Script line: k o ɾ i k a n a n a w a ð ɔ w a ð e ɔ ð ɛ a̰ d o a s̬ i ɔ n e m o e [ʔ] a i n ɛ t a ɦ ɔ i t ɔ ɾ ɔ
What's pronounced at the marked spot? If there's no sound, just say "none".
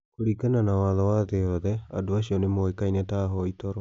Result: k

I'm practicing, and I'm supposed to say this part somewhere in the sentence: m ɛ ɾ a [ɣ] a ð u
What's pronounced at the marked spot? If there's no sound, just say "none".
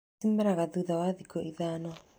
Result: ɣ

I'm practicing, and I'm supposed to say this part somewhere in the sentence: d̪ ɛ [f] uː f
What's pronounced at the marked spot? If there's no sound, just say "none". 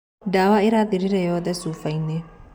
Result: s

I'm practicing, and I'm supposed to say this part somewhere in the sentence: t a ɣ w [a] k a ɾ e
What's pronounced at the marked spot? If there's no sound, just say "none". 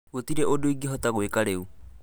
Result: e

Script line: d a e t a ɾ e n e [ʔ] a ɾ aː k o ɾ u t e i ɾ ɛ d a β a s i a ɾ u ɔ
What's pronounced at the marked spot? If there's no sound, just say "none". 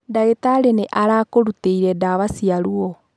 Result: ʔ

